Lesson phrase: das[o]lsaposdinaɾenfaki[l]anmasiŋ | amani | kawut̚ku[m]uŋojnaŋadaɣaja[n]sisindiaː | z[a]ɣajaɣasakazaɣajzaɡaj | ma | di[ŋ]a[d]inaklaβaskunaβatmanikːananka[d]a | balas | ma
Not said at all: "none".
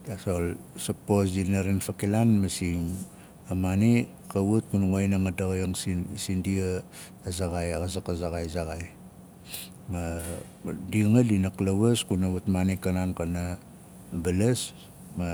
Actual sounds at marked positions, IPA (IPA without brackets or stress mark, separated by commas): o, l, n, ŋ, a, ŋ, d, n